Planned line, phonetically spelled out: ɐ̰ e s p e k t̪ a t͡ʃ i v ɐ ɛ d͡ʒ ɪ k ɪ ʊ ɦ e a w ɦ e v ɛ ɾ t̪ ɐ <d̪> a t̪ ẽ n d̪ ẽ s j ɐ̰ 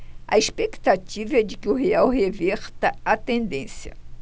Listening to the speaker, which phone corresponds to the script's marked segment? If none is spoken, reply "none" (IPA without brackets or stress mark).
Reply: none